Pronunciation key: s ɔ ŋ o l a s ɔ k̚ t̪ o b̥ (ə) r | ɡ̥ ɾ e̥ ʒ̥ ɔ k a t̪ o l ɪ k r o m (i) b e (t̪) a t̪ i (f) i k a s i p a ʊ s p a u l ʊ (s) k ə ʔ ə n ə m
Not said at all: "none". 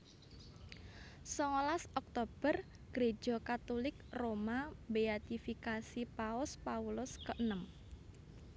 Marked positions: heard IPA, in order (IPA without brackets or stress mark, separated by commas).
ə, a, none, f, s